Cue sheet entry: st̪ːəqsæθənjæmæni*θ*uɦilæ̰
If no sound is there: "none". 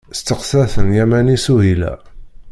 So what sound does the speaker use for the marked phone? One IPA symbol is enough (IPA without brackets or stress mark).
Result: s